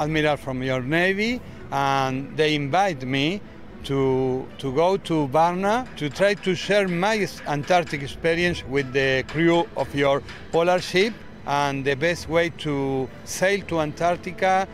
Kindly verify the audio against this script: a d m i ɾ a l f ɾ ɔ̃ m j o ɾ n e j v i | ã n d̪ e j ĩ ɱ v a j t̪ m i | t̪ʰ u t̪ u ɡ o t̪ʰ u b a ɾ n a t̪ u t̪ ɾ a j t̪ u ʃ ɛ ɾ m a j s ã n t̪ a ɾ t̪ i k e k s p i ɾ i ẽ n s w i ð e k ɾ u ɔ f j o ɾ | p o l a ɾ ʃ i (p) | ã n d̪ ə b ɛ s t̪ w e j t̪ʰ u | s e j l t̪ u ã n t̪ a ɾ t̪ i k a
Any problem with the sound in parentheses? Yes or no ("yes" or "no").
no